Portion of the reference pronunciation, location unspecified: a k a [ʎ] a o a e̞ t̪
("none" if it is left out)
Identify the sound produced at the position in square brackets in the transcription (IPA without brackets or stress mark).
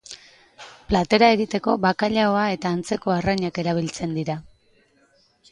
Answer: ʎ